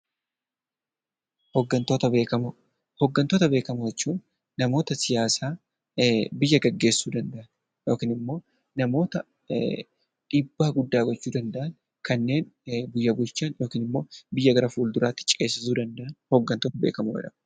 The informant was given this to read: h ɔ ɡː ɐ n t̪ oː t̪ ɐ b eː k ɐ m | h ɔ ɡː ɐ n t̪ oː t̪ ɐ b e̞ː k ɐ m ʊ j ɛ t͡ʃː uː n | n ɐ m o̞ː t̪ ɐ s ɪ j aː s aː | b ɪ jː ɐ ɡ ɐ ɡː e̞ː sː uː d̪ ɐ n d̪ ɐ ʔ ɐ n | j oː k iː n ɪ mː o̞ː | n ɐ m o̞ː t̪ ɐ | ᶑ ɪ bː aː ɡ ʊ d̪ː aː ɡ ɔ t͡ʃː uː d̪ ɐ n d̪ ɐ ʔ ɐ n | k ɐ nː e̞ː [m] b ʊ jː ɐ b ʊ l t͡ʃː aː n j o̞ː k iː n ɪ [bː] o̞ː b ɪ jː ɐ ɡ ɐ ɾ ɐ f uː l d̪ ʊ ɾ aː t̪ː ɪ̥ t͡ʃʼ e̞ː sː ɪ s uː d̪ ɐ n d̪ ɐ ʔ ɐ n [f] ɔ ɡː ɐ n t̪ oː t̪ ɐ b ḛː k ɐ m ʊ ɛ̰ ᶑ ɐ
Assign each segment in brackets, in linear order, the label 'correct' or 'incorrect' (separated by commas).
incorrect, incorrect, incorrect